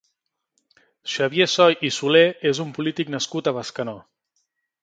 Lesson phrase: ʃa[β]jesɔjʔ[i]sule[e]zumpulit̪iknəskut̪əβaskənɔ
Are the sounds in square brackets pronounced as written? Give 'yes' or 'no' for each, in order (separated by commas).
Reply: yes, yes, yes